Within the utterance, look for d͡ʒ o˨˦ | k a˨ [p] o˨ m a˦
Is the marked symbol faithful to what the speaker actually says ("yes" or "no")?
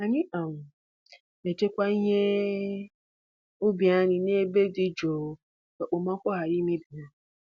no